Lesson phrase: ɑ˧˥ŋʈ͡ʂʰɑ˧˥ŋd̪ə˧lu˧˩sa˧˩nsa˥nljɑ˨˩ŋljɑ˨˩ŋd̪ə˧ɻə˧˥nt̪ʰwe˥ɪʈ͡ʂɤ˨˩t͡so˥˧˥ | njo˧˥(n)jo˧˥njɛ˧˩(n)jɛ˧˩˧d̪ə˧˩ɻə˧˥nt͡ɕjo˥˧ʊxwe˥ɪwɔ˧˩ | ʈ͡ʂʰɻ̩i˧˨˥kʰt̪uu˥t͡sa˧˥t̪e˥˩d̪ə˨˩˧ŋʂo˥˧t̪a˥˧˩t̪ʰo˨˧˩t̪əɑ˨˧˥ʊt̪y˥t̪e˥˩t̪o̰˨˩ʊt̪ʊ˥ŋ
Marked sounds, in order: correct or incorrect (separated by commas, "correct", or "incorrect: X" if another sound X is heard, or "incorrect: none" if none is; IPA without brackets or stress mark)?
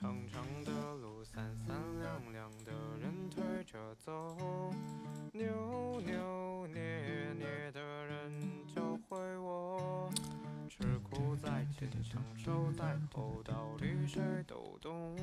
correct, correct